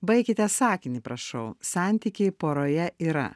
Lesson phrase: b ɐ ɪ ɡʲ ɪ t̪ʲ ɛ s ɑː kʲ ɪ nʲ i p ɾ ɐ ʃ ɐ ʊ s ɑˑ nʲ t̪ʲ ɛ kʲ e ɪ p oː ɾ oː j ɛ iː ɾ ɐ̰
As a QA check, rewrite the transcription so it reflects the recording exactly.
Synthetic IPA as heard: b ɐ ɪ kʲ ɪ t̪ʲ ɛ s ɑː kʲ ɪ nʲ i p ɾ ɐ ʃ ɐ ʊ s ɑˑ nʲ t̪ʲ i kʲ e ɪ p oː ɾ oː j ɛ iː ɾ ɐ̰